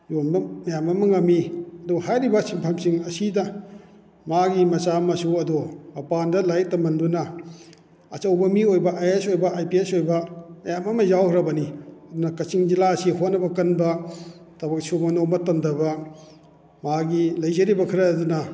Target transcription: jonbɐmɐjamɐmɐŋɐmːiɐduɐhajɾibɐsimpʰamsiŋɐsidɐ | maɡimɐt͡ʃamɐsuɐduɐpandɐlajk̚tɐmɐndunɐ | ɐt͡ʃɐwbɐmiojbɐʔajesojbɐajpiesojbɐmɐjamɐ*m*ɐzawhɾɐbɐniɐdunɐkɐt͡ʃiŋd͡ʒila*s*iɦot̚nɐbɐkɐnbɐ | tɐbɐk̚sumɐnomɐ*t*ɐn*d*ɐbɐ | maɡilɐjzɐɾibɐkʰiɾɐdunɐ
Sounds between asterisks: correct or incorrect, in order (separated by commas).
correct, correct, correct, correct